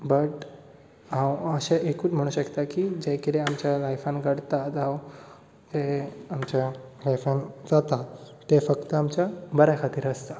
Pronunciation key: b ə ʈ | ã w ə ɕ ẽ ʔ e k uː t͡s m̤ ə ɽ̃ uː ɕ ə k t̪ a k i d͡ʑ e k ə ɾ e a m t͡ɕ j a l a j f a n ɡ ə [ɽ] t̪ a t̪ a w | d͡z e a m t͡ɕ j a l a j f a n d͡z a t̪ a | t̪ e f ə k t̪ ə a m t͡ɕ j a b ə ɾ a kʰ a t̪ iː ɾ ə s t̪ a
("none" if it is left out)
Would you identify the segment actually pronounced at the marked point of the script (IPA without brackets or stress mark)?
ɽ